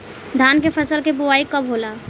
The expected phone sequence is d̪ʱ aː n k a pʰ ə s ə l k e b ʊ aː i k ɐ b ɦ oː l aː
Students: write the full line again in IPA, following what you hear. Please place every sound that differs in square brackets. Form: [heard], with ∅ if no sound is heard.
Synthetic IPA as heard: d̪ʱ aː n k [e] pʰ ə s ə l k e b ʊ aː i k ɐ b ɦ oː l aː